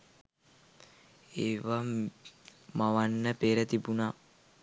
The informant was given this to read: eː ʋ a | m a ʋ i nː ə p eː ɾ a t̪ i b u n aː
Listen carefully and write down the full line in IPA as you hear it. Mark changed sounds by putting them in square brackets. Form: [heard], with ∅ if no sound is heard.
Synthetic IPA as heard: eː ʋ a | m a ʋ [a] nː ə p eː ɾ [ə] t̪ i b u n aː